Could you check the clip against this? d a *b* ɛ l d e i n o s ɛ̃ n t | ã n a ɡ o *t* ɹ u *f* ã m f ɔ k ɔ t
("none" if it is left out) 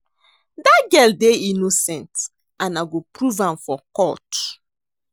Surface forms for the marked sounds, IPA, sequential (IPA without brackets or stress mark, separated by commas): ɡ, p, v